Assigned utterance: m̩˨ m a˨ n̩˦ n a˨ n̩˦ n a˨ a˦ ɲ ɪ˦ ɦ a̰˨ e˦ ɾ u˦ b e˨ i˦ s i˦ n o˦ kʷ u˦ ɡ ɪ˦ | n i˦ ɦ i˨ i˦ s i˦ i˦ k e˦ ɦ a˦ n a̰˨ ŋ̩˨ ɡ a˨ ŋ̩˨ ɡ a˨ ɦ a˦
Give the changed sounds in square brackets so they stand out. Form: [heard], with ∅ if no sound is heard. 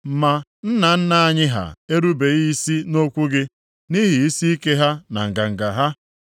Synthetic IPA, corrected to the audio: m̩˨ m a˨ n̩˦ n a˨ n̩˦ n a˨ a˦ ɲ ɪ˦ ɦ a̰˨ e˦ ɾ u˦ b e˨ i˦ s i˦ n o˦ kʷ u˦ ɡ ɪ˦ | n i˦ ɦ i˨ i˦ s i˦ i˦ k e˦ ɦ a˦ n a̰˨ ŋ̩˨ ɡ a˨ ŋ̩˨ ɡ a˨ ɦ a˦